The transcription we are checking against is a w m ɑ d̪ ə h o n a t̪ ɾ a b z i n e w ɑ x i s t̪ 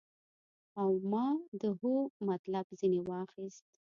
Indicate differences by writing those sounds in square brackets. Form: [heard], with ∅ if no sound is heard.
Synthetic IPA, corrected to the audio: a w m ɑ d̪ ə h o [m] a t̪ [l] a b z i n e w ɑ x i s t̪